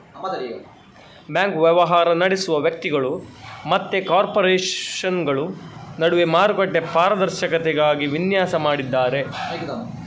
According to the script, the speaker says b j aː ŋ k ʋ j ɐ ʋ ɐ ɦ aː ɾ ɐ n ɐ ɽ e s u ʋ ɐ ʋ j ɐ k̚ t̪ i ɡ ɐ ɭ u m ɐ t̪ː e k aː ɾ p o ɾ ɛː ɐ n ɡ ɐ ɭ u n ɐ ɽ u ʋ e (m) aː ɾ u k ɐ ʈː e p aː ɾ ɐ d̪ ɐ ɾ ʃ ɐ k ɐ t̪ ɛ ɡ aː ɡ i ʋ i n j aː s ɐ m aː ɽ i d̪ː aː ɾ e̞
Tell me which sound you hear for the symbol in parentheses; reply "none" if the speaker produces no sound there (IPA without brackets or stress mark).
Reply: m